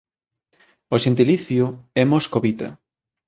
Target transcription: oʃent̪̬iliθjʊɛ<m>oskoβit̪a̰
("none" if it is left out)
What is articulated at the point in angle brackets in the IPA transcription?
m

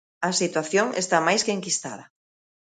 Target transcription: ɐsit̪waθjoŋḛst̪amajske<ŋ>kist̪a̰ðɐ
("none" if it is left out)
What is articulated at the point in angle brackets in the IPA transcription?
ŋ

